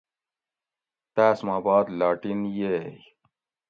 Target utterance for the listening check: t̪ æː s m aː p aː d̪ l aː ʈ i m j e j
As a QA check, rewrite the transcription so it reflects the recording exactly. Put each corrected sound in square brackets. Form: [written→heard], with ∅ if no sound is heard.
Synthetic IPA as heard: t̪ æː s m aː [p→b] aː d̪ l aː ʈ i [m→n] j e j